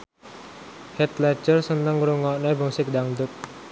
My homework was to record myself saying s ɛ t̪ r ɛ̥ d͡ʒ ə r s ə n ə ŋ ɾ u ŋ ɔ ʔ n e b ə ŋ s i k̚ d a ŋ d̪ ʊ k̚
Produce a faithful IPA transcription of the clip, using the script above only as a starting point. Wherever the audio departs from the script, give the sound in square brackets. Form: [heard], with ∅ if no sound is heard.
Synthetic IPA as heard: [h] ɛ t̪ [l] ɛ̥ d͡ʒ ə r s ə n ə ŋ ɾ u ŋ ɔ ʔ n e b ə ŋ s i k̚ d a ŋ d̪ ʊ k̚